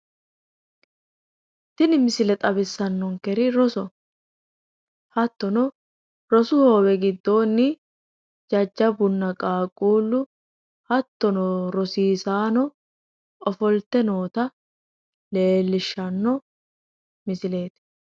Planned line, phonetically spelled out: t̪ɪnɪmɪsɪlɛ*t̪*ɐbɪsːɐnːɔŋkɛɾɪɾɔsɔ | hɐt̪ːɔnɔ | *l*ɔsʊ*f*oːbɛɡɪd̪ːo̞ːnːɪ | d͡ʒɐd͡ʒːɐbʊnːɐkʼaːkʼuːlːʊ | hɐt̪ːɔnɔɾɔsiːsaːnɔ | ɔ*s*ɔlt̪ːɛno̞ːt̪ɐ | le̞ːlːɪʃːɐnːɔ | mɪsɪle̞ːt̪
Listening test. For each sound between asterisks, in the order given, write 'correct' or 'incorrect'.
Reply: incorrect, incorrect, incorrect, incorrect

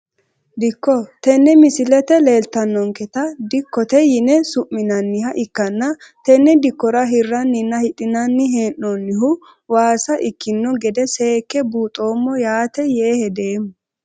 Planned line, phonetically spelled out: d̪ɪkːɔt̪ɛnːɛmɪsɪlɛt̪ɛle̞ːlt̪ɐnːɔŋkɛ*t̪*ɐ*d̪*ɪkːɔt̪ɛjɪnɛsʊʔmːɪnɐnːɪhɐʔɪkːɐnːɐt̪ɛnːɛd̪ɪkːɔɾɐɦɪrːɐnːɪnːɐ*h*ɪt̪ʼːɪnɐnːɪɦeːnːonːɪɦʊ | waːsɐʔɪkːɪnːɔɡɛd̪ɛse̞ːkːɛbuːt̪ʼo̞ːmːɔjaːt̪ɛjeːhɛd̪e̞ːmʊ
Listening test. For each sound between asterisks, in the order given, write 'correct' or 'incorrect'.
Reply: correct, correct, correct

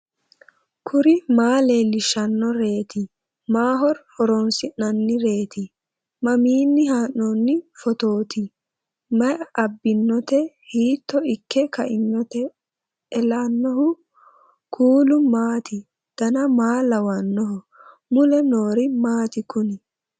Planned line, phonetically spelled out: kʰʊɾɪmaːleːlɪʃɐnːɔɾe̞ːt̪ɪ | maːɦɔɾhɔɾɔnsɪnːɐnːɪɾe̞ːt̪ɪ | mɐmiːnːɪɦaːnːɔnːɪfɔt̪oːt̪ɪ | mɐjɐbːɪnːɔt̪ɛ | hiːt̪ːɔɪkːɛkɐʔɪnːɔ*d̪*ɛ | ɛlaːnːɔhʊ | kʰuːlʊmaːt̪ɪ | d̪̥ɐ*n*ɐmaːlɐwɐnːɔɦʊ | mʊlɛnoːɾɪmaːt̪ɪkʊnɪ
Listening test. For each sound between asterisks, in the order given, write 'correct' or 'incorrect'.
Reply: incorrect, correct

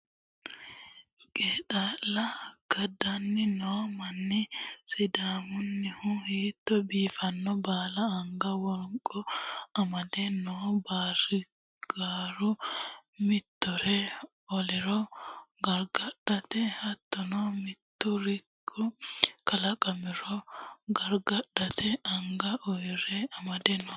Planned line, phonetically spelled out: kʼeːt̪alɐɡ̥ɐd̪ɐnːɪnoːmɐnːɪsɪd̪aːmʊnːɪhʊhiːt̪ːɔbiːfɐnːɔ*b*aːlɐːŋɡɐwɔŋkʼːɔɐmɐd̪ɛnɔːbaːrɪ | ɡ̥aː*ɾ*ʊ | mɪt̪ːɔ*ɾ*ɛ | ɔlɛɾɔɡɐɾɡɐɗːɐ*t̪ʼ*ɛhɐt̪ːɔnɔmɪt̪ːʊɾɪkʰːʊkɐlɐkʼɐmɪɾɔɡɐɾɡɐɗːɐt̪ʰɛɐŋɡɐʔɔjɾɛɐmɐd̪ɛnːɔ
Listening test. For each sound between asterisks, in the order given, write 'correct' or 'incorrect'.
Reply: correct, correct, correct, incorrect

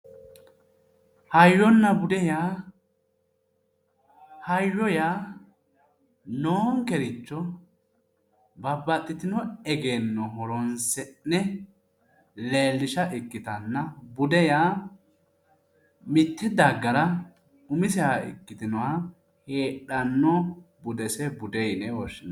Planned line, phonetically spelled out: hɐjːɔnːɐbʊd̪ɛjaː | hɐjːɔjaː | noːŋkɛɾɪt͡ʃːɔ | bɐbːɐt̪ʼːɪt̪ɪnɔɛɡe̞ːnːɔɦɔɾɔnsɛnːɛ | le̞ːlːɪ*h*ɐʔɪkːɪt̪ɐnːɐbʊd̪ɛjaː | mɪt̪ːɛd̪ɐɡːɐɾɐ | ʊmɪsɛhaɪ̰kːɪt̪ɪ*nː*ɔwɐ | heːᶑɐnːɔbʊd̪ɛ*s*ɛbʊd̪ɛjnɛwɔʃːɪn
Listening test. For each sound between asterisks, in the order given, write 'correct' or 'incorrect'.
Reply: incorrect, incorrect, correct

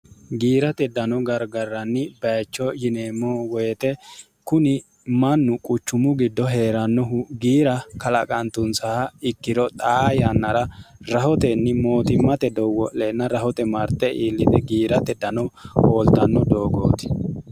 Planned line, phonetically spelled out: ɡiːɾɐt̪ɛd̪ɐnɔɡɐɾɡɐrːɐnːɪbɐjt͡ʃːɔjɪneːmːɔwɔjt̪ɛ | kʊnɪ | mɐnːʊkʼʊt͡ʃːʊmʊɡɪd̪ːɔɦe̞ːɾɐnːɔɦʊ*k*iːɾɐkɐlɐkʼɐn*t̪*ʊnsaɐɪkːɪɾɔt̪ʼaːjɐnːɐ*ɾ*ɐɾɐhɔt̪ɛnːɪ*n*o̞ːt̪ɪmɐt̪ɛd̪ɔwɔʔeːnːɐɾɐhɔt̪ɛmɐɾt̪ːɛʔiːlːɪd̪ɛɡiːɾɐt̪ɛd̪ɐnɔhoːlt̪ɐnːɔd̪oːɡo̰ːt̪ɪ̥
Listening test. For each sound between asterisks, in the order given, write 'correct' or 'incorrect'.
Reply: incorrect, correct, correct, incorrect

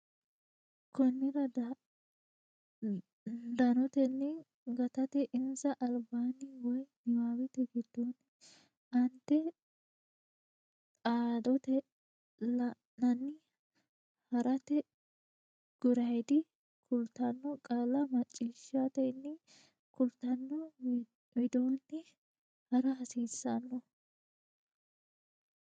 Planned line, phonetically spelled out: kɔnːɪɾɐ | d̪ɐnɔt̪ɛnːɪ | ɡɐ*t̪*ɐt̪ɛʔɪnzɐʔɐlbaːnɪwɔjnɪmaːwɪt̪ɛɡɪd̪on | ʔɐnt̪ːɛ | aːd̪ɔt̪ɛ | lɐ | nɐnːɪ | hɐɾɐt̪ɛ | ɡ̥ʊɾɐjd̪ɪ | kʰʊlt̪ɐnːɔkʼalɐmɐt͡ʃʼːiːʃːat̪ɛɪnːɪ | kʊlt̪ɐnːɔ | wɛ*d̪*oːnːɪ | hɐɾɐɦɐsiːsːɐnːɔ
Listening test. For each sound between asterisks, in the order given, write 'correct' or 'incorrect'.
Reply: correct, correct

